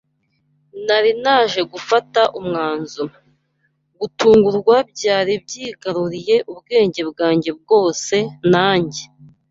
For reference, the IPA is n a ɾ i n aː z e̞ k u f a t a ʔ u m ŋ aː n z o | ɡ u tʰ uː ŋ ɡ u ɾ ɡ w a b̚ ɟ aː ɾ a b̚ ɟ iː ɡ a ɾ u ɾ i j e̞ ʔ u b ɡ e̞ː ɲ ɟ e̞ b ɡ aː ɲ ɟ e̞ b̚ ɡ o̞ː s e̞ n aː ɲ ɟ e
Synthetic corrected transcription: n a ɾ i n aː ʒ e̞ ɡ u f a t a ʔ u m ŋ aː n z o | ɡ u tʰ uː ŋ ɡ u ɾ ɡ w a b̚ ɟ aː ɾ i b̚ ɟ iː ɡ a ɾ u ɾ i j e̞ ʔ u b ɡ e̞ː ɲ ɟ e̞ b ɡ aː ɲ ɟ e̞ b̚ ɡ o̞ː s e̞ n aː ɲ ɟ e